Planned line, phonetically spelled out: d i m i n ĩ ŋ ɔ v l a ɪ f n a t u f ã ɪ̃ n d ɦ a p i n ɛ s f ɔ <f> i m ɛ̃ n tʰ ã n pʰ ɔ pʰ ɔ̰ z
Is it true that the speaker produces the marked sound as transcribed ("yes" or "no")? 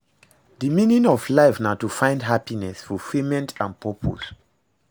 yes